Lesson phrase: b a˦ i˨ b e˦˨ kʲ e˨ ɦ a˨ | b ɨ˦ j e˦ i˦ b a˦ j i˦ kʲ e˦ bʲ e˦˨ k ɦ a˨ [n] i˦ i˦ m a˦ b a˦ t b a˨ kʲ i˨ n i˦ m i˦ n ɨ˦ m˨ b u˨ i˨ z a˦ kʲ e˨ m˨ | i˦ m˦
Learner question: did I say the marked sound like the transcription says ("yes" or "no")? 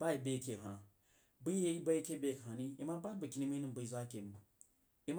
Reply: yes